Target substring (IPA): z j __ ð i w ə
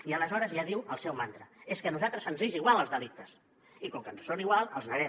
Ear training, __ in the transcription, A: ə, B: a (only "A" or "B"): B